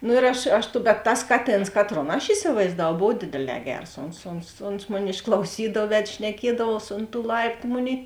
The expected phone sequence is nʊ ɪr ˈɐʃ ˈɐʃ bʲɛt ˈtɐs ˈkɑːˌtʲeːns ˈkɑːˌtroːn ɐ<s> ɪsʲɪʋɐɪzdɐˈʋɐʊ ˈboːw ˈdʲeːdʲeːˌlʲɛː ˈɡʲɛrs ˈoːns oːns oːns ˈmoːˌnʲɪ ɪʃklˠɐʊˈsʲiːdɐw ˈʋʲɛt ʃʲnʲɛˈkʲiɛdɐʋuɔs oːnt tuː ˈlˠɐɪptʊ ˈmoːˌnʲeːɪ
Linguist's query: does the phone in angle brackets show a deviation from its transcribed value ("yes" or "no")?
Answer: yes